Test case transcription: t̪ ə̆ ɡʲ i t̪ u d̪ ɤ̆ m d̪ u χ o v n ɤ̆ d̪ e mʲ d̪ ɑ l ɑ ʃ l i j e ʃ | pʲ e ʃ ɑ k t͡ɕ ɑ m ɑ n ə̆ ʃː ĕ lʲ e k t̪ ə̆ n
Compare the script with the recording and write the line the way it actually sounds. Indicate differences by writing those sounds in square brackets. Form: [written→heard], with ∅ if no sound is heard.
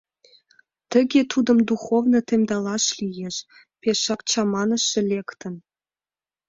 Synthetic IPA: t̪ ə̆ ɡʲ [i→e] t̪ u d̪ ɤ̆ m d̪ u χ o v n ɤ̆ [d̪→t̪] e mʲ d̪ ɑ l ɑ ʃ l i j e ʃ | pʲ e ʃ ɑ k t͡ɕ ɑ m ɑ n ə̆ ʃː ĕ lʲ e k t̪ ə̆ n